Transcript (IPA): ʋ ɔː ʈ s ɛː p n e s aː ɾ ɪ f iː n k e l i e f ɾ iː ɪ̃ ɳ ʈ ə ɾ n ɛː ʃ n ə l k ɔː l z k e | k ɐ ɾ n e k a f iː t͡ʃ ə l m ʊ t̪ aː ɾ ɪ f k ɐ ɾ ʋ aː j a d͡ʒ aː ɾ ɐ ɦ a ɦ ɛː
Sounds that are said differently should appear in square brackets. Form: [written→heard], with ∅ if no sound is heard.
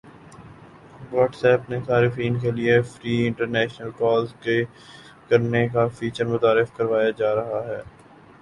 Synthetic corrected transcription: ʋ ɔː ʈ s ɛː p n e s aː ɾ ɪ f iː n k e l i e f ɾ iː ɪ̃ ɳ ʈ ə ɾ n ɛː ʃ n ə l k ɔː l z k e | k ɐ ɾ n e k a f iː t͡ʃ ə [l→ɾ] m ʊ t̪ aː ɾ ɪ f k ɐ ɾ ʋ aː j a d͡ʒ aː ɾ ɐ ɦ a ɦ ɛː